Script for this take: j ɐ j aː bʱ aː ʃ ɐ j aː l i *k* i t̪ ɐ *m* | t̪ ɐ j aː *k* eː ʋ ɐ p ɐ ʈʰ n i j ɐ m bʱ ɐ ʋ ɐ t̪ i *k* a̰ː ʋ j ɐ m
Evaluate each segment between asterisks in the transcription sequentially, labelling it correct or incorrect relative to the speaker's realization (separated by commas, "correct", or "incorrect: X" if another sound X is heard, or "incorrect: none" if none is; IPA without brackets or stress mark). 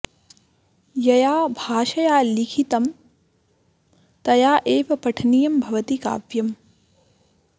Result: incorrect: kʰ, correct, incorrect: ʔ, correct